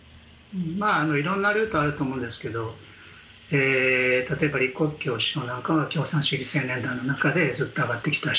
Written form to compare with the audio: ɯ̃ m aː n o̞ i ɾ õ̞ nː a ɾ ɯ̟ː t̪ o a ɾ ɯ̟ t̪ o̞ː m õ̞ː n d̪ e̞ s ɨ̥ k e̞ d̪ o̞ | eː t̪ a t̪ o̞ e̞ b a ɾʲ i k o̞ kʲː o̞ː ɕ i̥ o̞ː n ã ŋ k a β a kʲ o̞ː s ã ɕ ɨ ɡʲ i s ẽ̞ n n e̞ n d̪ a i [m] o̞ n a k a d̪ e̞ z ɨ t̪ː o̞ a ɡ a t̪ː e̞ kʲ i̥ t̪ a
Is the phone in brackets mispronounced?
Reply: yes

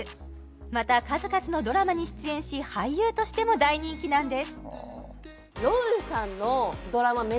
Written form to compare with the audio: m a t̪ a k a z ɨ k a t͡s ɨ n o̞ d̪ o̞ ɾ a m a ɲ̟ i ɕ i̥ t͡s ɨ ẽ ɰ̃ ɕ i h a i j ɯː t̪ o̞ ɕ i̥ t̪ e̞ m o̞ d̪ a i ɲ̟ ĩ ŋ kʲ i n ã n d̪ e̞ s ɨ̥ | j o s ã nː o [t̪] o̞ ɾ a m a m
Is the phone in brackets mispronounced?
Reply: yes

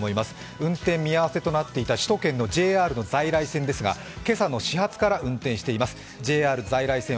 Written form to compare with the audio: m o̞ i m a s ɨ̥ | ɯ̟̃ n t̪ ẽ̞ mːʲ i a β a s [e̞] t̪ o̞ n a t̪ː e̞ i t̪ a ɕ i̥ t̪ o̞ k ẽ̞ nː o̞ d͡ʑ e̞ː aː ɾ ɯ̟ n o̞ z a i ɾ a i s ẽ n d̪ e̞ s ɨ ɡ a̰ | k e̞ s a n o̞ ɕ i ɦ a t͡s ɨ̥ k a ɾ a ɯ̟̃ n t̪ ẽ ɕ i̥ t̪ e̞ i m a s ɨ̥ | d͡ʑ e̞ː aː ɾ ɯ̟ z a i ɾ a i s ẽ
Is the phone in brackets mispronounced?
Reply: no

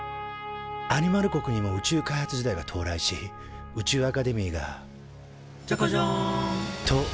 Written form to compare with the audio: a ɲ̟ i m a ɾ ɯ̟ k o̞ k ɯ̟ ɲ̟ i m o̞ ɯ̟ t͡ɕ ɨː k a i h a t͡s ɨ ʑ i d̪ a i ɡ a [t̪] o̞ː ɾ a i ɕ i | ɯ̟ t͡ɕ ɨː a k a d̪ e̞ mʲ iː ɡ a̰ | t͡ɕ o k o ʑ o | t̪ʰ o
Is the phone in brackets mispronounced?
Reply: yes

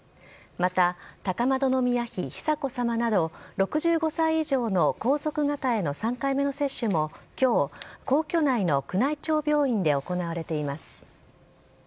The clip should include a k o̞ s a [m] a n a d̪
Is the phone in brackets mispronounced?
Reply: no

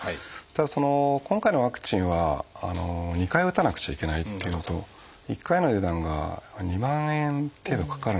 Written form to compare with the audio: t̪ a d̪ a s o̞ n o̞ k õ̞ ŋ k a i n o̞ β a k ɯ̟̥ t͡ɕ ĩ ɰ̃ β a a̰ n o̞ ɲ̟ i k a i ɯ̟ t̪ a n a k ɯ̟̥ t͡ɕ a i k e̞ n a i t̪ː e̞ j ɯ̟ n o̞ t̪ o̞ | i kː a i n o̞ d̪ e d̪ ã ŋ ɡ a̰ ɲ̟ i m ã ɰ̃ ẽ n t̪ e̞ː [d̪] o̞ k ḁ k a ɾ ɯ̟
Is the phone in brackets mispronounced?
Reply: no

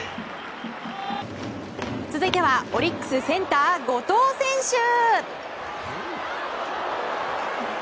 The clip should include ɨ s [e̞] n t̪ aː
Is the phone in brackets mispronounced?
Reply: yes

